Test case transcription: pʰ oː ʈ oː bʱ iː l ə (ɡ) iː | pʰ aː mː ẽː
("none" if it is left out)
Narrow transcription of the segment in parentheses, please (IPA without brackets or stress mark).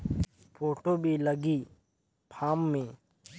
ɡ